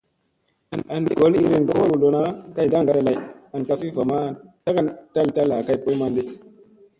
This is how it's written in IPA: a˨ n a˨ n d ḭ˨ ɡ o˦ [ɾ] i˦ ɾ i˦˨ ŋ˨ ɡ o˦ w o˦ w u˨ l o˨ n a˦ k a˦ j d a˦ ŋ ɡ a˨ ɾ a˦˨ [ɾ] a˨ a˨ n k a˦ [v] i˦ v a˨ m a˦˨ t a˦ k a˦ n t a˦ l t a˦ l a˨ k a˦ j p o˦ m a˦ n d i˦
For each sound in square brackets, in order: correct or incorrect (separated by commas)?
incorrect, incorrect, incorrect